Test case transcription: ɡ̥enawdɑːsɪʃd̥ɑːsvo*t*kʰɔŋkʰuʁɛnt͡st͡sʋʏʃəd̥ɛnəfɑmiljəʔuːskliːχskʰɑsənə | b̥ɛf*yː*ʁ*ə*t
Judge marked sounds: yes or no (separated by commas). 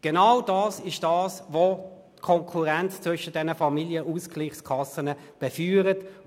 yes, yes, yes